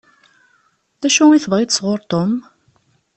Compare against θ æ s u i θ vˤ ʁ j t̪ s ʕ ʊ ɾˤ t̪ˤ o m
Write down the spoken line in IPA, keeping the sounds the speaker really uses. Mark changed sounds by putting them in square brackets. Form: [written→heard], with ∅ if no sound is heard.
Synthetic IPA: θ æ [s→ʃ] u i θ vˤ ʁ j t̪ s [ʕ→ʁ] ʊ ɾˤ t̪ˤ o m

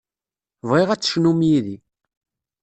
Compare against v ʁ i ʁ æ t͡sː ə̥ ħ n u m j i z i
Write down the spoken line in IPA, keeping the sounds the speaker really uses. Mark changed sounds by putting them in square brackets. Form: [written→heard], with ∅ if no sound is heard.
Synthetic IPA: v ʁ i ʁ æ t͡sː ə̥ [ħ→ʃ] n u m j i [z→ð] i

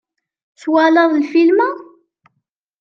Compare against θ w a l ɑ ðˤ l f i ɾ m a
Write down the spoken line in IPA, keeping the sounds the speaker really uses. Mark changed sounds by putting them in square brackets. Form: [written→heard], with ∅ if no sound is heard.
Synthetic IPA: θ w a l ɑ ðˤ l f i [ɾ→l] m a

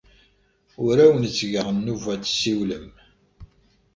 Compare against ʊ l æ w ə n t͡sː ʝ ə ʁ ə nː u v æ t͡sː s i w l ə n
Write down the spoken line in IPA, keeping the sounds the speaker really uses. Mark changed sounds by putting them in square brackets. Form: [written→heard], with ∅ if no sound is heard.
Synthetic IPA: ʊ [l→ɾ] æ w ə n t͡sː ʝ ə ʁ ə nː u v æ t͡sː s i w l ə [n→m]

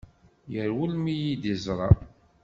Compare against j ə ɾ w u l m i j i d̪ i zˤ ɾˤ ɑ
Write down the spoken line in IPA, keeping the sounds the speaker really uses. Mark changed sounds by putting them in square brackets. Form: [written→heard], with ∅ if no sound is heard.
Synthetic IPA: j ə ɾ w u l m i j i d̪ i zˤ ɾˤ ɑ

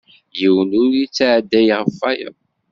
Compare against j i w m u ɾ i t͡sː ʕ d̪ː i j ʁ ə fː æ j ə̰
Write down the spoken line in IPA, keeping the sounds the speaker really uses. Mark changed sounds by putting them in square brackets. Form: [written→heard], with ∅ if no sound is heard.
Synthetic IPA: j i w [m→n] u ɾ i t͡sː ʕ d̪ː [i→æ] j ʁ ə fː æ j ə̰

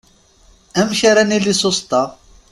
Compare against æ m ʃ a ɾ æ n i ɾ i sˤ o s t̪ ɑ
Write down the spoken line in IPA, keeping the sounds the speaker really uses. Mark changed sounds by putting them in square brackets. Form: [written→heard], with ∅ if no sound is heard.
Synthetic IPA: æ m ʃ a ɾ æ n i [ɾ→l] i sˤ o s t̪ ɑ

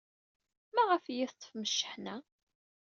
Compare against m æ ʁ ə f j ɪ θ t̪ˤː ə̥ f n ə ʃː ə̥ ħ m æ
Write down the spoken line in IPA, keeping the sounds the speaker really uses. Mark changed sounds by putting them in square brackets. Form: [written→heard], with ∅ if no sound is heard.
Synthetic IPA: m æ ʁ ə f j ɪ θ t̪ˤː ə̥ f [n→m] ə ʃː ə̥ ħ [m→n] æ

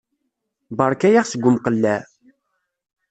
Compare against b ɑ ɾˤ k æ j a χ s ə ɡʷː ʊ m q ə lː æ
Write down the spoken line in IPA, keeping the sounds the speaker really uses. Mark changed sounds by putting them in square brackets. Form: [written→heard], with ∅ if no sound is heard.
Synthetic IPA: b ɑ ɾˤ k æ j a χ s ə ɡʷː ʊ m q ə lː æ

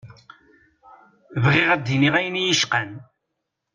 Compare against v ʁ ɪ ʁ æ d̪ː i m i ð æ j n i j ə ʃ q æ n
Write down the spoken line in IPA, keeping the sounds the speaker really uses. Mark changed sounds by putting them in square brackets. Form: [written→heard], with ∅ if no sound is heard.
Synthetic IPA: v ʁ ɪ ʁ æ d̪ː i [m→n] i [ð→ʁ] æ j n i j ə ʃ q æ n

